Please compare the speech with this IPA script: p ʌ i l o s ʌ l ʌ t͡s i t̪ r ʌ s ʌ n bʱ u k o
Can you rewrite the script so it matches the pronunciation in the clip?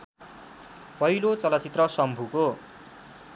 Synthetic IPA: p ʌ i l o t͡s ʌ l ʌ t͡s i t̪ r ʌ s ʌ m bʱ u k o